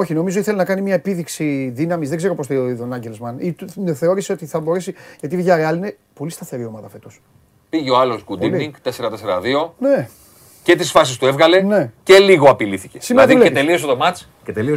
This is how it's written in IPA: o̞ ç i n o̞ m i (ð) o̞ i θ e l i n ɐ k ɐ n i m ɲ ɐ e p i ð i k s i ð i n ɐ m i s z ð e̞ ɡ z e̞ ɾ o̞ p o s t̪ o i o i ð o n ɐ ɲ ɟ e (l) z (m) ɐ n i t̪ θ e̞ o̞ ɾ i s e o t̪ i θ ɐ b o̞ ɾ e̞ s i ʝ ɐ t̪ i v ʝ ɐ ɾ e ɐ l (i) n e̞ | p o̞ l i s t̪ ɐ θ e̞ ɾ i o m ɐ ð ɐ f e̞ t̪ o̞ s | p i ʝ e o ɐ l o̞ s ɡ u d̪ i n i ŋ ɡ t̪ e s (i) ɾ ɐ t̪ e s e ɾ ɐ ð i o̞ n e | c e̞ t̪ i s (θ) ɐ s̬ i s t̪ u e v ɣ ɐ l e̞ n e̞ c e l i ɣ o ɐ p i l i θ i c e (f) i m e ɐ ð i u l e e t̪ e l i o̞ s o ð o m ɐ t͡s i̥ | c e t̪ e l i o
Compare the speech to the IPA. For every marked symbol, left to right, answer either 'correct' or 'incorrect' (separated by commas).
incorrect, correct, correct, correct, incorrect, incorrect, incorrect